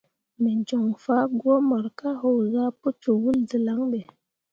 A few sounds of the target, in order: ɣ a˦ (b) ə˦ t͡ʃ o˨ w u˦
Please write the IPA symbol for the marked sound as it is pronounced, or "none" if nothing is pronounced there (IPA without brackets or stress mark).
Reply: p